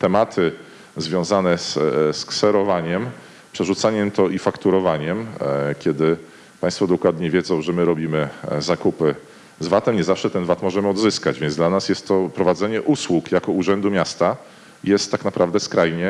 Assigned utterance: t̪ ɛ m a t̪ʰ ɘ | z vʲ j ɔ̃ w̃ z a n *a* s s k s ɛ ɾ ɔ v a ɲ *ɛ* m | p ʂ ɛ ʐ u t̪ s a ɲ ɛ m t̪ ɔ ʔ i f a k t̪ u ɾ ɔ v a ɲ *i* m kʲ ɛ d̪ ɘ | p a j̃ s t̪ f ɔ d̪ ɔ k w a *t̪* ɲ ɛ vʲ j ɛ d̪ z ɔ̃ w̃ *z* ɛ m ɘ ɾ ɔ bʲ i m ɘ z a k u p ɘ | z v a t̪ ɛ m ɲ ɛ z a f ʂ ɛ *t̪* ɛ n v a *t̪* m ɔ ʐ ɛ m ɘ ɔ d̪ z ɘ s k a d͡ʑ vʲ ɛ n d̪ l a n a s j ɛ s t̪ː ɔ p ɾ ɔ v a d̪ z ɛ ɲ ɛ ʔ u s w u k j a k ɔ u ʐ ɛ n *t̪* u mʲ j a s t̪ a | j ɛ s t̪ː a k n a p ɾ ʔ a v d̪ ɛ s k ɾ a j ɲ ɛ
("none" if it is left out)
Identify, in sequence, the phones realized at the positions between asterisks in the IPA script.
ɛ, ɛ, ɛ, d̪, ʐ, t̪, t̪, d̪

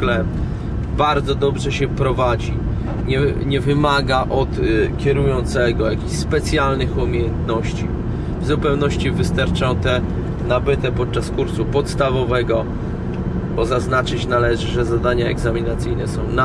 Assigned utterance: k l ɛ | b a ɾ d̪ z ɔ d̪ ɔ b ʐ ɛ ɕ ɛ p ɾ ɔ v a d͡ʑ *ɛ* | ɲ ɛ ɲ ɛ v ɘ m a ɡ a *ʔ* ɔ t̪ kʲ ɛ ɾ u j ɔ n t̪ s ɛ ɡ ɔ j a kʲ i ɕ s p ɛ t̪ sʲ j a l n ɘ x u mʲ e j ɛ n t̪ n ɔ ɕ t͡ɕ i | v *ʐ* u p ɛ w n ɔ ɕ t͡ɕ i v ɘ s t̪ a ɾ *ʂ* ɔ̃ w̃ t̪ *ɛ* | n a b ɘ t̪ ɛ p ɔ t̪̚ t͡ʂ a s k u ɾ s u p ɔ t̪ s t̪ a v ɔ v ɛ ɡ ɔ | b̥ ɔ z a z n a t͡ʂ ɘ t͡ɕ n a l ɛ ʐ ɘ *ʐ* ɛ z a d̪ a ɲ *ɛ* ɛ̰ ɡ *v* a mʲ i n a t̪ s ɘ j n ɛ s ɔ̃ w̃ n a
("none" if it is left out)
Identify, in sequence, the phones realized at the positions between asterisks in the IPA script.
i, ʔ, z, t͡ʂ, ɛ, ʐ, a, z

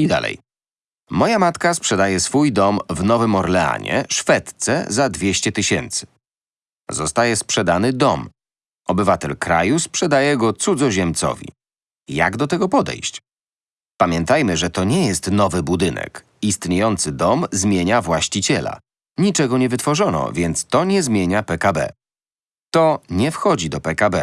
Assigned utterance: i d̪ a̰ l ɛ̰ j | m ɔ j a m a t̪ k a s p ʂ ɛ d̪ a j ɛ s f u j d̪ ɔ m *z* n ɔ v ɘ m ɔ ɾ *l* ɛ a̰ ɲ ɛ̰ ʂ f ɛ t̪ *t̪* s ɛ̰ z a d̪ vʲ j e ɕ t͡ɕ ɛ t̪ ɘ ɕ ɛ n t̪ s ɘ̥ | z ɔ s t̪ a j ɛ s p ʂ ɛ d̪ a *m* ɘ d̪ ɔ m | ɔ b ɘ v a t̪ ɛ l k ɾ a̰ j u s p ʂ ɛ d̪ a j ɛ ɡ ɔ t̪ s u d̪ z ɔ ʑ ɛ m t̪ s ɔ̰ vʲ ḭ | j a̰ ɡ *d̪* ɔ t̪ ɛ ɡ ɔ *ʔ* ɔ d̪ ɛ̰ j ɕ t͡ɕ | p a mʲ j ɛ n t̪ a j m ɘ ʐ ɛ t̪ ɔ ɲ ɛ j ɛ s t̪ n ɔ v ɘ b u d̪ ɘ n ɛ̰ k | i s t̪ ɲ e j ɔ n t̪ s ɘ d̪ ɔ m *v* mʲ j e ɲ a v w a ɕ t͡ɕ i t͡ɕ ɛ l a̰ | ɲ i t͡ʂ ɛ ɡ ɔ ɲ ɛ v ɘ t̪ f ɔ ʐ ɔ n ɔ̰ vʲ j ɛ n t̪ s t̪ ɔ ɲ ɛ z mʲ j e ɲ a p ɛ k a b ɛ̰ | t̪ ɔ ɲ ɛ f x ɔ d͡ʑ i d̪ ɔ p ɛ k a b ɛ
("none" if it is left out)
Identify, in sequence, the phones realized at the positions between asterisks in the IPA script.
v, l, t̪, n, d̪, p, z

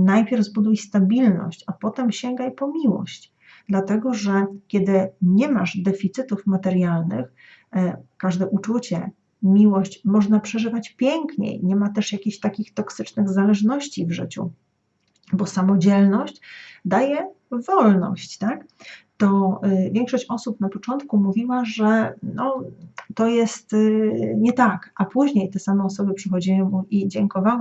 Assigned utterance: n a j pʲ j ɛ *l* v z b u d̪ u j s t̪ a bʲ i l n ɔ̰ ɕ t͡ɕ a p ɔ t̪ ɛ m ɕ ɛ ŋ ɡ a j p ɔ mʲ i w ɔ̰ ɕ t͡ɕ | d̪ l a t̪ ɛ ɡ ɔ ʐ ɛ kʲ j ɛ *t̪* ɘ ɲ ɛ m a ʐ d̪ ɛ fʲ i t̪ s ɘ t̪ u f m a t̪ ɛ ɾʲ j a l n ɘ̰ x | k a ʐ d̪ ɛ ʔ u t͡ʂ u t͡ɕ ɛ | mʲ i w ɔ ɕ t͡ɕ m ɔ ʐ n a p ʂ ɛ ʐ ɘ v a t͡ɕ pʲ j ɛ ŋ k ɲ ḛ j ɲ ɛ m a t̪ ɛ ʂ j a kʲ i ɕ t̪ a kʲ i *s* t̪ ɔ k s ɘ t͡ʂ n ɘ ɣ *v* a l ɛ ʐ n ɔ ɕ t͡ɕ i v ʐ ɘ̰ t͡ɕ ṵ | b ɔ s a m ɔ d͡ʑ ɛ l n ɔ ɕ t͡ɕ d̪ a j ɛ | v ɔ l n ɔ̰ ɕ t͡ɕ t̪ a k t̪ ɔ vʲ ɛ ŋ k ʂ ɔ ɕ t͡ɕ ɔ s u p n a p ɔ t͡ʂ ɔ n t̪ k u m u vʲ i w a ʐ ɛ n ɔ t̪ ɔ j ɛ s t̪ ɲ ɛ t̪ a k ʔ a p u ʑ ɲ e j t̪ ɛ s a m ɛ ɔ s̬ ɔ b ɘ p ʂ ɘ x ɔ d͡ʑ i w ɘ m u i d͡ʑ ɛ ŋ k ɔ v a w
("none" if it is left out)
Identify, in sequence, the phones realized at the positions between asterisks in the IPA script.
ɾ, d̪, x, z

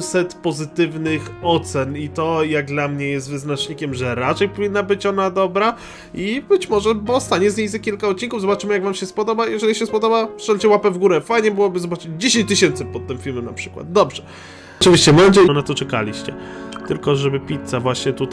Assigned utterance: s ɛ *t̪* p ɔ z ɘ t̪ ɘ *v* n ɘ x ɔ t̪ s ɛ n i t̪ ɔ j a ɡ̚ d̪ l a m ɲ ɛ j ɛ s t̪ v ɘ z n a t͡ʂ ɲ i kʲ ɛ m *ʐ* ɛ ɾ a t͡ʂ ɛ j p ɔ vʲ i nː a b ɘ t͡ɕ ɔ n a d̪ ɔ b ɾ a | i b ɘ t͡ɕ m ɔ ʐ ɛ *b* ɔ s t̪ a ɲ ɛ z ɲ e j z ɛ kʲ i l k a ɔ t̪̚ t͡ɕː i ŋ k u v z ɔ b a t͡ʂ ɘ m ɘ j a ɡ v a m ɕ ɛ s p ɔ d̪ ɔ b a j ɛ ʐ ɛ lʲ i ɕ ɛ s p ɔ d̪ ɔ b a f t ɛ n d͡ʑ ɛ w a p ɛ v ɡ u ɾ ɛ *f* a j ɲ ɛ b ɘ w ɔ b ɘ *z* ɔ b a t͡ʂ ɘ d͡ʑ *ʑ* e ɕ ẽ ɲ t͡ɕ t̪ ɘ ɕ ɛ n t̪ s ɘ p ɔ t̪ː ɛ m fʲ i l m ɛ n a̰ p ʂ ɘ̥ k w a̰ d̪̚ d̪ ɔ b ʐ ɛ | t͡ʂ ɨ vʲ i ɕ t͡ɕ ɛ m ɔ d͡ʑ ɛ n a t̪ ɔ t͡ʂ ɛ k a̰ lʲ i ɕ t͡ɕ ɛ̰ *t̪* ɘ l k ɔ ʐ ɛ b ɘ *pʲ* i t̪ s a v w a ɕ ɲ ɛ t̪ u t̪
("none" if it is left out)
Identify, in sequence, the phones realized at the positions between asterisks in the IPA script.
t̪, v, ʐ, b, f, z, d͡ʑ, t̪, pʲ

